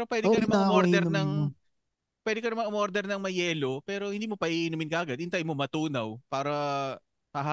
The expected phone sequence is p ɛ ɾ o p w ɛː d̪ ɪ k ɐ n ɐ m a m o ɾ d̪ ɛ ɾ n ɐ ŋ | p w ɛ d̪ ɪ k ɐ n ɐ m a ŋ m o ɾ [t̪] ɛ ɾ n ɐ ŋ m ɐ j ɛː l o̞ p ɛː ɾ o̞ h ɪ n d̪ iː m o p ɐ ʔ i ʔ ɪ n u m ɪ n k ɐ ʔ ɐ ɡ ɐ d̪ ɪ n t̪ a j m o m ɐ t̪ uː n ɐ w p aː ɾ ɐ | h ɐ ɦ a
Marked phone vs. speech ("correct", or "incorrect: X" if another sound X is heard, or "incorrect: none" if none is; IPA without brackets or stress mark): incorrect: d̪